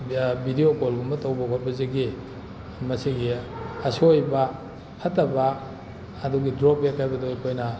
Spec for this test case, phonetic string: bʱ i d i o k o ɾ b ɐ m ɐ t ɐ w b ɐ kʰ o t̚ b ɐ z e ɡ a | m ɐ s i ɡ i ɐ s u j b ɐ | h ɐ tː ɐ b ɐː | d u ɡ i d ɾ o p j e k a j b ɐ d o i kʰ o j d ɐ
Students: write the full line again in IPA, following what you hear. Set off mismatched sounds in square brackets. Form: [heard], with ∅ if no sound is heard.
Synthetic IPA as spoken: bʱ i d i o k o [l] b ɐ m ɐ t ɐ w b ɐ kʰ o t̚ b ɐ z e ɡ [i] | m ɐ s i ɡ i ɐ s [o] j b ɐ | h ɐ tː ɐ b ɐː | d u ɡ i d ɾ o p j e k a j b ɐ d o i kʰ o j [n] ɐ

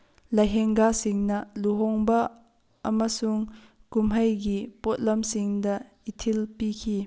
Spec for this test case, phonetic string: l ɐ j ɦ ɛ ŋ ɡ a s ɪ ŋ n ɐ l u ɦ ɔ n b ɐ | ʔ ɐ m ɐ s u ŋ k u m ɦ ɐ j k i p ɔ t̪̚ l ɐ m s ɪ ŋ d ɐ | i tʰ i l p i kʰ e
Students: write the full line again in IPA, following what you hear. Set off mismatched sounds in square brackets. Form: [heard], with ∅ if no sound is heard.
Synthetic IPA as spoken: l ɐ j ɦ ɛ ŋ ɡ a s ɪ ŋ n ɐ l u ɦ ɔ [ŋ] b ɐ | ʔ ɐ m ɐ s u ŋ k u m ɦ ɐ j [ɡ] i p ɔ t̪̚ l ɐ m s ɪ ŋ d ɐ | i tʰ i l p i kʰ [i]

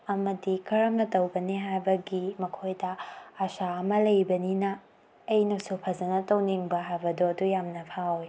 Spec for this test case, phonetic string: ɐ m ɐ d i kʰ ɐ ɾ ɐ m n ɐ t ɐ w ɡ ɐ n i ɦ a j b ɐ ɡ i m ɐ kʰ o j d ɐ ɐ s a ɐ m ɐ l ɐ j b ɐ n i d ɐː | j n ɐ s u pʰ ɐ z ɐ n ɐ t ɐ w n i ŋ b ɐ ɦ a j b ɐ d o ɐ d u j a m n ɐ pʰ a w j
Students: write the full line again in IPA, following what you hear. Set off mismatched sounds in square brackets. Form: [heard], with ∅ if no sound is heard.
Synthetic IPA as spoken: ɐ m ɐ d i kʰ ɐ ɾ ɐ m n ɐ t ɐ w [b] ɐ n i ɦ a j b ɐ ɡ i m ɐ kʰ o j d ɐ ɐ s a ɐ m ɐ l ɐ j b ɐ n i [n] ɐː | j n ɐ s u pʰ ɐ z ɐ n ɐ t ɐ w n i ŋ b ɐ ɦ a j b ɐ d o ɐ d u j a m n ɐ pʰ a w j

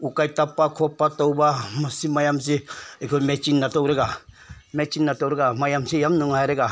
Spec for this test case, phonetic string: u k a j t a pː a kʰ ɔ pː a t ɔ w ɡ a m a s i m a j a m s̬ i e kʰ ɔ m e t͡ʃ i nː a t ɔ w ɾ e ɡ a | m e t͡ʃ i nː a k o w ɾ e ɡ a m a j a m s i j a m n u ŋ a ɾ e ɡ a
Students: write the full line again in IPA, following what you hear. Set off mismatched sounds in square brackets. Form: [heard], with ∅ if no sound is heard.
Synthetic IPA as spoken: u k a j t a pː a kʰ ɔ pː a t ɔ w [b] a m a s i m a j a m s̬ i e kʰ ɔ m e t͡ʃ i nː a t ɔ w ɾ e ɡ a | m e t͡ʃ i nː a [t] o w ɾ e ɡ a m a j a m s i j a m n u ŋ a ɾ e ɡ a

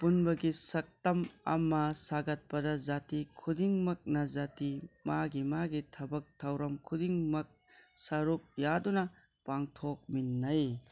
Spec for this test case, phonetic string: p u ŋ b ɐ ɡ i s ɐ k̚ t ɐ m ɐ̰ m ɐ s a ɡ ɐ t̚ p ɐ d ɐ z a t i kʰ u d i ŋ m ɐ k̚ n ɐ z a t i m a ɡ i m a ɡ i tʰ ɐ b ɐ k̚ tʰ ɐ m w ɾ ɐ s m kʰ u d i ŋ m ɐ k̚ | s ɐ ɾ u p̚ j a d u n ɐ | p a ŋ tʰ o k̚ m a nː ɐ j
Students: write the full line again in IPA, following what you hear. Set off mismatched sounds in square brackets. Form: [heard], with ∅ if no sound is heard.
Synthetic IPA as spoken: p u [n] b ɐ ɡ i s ɐ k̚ t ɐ m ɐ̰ m ɐ s a ɡ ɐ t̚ p ɐ d ɐ z a t i kʰ u d i ŋ m ɐ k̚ n ɐ z a t i m a ɡ i m a ɡ i tʰ ɐ b ɐ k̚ tʰ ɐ [∅] w ɾ ɐ [∅] m kʰ u d i ŋ m ɐ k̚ | s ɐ ɾ u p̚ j a d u n ɐ | p a ŋ tʰ o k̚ m [i] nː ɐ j

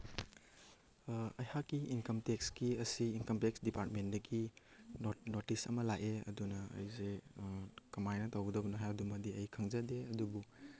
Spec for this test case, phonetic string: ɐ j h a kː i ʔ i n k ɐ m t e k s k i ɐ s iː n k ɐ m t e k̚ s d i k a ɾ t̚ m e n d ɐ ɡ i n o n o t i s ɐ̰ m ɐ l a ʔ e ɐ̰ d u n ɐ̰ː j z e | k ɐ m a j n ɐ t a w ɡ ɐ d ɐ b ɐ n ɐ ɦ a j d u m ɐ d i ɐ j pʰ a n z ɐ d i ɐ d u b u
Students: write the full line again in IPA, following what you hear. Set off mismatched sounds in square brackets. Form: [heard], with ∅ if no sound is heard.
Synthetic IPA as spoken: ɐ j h a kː i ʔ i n k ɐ m t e k s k i ɐ s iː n k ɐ m t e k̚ s d i [p] a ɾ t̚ m e n d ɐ ɡ i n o n o t i s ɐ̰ m ɐ l a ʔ e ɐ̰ d u n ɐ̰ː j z e | k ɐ m a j n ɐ t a w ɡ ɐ d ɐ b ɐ n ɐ ɦ a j d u m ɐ d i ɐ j [kʰ] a [ŋ] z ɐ d [e] ɐ d u b u

